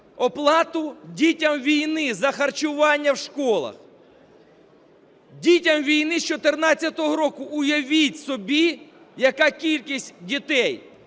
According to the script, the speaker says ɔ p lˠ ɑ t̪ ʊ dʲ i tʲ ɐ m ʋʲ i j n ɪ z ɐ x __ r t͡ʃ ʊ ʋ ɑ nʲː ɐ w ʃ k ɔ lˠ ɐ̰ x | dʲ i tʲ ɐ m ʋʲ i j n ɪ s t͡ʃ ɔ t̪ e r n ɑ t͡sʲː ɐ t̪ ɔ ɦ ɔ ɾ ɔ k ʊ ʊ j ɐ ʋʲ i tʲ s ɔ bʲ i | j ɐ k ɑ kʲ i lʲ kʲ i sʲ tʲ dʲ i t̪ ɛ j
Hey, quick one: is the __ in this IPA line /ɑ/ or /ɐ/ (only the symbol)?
ɐ